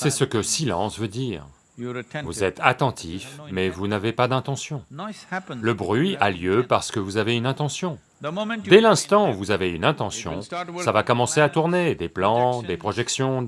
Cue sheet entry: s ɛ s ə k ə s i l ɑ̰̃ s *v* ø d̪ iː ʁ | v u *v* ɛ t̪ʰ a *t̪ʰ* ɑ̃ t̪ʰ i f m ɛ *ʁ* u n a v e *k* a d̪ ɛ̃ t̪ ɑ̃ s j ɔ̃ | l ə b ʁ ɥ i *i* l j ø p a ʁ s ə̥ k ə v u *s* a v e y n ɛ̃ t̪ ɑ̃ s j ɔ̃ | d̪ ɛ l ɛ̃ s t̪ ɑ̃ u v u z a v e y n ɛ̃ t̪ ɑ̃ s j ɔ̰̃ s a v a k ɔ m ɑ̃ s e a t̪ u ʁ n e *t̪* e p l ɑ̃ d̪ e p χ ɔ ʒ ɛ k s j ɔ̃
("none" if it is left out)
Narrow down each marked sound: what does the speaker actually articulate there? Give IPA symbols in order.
v, z, t̪, v, p, a, z, d̪

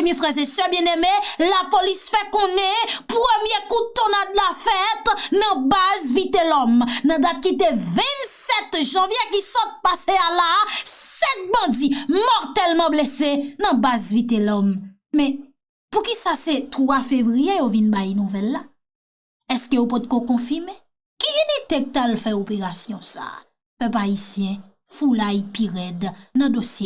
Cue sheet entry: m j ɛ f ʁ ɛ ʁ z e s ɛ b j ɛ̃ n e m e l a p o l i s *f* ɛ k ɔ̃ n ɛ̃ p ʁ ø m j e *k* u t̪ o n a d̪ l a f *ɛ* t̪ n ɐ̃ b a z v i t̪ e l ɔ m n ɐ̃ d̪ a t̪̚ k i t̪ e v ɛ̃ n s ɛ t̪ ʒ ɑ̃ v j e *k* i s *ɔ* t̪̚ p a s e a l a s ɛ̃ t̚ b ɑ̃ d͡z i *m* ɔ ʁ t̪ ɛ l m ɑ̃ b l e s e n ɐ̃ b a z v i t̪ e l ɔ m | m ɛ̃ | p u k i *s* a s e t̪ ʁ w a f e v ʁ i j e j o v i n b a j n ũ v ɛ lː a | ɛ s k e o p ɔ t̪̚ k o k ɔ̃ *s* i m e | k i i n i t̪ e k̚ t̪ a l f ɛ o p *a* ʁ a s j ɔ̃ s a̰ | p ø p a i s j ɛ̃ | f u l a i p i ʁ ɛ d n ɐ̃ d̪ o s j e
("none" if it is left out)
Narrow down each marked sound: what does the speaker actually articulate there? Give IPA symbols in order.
f, k, ɛ, k, ɔ, m, s, f, e

